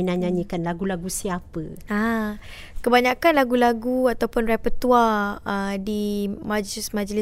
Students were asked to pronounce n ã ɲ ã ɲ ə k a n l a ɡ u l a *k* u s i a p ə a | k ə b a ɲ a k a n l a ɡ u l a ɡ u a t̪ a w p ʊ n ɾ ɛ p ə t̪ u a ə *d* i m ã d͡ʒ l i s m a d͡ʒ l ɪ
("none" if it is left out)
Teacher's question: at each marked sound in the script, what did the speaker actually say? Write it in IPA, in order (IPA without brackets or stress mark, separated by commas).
ɡ, d